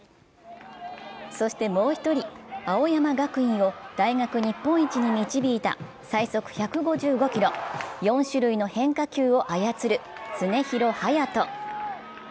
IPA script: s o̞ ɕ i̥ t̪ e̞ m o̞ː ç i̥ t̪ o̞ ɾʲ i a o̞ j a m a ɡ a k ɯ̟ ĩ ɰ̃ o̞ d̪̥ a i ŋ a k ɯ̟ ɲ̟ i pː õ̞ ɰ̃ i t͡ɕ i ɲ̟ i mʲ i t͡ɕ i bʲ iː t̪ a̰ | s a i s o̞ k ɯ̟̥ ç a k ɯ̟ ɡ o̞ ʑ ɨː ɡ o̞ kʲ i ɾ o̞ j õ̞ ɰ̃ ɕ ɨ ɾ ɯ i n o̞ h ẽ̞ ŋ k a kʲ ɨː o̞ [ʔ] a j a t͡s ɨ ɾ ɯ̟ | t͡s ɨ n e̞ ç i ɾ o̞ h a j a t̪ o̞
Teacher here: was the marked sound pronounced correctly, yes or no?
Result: yes